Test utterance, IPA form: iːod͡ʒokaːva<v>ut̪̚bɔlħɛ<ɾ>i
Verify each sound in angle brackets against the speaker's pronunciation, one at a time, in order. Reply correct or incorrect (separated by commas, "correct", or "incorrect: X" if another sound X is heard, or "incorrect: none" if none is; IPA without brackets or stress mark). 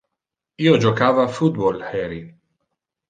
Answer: incorrect: f, correct